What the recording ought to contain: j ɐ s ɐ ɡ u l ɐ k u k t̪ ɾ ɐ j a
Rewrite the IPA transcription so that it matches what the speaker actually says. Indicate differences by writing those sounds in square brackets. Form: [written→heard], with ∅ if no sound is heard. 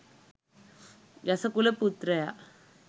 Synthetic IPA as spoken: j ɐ s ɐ [ɡ→k] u l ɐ [k→p] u [k→∅] t̪ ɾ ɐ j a

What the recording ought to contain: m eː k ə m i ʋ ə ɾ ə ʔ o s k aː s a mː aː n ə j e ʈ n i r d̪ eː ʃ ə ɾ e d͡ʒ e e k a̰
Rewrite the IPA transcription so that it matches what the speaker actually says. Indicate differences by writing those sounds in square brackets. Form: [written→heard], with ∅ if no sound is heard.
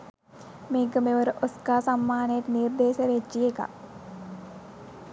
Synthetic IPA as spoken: m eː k ə m [i→e] ʋ ə ɾ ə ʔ o s k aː s a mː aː n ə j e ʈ n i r d̪ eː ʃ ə ɾ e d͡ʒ [e→i] e k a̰

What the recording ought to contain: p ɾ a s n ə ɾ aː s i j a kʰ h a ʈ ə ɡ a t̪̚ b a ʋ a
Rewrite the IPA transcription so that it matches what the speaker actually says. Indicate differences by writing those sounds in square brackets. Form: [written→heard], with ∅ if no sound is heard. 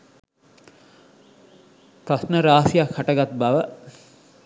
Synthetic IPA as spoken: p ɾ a s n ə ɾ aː s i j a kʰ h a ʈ ə ɡ a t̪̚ b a ʋ [a→ə]

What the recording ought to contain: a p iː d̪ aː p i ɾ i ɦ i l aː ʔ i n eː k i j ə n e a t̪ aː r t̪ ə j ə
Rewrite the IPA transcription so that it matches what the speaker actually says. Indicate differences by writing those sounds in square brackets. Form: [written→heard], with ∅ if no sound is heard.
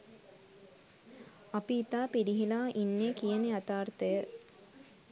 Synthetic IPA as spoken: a p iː [d̪→t̪] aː p i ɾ i ɦ i l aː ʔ i [n→nː] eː k i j ə n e a t̪ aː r t̪ ə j ə

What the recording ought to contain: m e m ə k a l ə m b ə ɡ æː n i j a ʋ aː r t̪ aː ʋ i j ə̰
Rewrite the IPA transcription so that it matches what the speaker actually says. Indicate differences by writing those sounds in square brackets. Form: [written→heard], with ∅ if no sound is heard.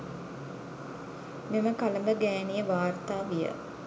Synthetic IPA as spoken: m e m ə k a l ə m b ə ɡ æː n i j [a→ə] ʋ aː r t̪ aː ʋ i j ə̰

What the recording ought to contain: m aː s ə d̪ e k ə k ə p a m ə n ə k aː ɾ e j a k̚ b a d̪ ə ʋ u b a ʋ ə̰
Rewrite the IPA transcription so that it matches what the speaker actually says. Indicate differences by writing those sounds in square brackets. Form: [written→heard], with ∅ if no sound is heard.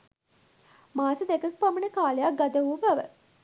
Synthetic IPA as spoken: m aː s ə d̪ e k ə k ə p a m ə n ə k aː [ɾ→l] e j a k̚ [b→ɡ] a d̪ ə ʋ u b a ʋ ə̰

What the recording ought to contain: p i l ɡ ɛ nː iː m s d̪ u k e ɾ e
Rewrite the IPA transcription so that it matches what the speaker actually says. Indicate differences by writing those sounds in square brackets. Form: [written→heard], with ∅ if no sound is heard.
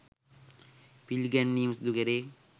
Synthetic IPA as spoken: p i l ɡ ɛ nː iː m s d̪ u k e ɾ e

